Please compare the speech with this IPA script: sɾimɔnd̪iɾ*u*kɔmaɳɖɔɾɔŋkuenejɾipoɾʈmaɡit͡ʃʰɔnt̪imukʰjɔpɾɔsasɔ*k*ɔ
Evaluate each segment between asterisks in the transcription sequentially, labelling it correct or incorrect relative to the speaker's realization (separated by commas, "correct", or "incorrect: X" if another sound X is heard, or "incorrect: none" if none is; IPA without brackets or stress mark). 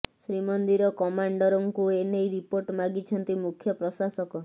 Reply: incorrect: ɔ, correct